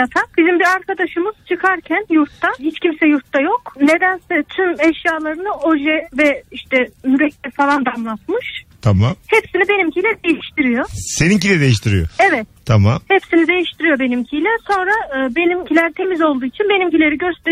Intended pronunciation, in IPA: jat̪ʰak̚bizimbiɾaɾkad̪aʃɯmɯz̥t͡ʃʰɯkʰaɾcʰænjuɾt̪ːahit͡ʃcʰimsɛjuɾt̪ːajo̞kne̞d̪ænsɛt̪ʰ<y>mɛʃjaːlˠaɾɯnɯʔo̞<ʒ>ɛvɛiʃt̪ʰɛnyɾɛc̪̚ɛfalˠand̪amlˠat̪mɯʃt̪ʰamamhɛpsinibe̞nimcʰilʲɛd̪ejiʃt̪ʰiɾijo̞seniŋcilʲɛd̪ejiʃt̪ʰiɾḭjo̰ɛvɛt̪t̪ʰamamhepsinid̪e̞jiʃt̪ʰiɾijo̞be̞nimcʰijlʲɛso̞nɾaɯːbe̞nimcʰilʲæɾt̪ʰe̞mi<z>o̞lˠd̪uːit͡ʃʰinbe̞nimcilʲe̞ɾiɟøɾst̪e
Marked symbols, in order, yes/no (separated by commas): yes, yes, yes